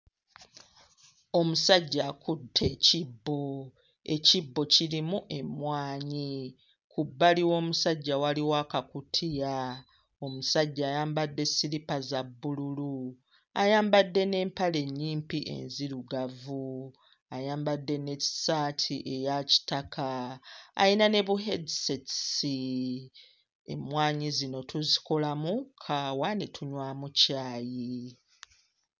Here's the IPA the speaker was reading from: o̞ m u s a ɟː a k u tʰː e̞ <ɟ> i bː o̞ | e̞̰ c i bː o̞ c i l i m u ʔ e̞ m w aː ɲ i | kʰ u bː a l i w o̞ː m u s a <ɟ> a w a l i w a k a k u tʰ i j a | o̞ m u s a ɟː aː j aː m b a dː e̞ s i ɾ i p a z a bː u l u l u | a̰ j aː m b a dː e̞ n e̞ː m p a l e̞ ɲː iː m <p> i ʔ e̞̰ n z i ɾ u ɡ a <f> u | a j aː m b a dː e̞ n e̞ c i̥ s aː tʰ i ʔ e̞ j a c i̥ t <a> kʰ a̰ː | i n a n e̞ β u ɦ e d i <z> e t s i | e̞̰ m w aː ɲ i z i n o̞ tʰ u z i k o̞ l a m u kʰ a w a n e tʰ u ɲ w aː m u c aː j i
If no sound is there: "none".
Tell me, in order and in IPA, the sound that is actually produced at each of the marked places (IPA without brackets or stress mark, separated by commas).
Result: c, ɟː, p, v, a, s